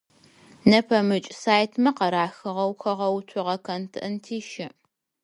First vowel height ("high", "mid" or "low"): low